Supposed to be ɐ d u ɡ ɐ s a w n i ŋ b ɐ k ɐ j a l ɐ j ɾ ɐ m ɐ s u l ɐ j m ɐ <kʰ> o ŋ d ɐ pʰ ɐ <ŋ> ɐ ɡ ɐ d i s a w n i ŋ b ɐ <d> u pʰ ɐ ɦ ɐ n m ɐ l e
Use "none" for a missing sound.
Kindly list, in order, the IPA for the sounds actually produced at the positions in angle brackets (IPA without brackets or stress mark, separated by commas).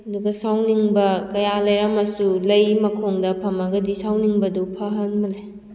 kʰ, m, d